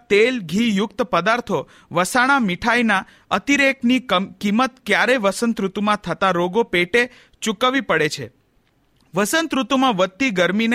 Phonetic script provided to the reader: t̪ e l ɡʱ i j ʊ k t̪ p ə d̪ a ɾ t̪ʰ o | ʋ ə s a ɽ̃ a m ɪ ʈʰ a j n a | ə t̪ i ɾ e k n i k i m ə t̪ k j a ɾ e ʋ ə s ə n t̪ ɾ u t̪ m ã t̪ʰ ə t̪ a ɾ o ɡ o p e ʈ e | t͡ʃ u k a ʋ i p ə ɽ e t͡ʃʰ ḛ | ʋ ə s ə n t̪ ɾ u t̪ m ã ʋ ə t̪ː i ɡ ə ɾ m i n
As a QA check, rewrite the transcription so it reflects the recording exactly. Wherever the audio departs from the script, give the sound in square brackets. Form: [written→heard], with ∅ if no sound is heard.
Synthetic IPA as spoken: t̪ e l ɡʱ i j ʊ k t̪ p ə d̪ a ɾ t̪ʰ o | ʋ ə s a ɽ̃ a m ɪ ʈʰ a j n a | ə t̪ i ɾ e k n i k i m ə t̪ k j a ɾ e ʋ ə s ə n t̪ ɾ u t̪ m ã t̪ʰ ə t̪ a ɾ o ɡ o p e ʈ e | t͡ʃ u k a ʋ i p ə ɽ e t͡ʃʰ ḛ | ʋ ə s ə n t̪ ɾ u t̪ m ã ʋ ə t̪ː i ɡ ə ɾ m i n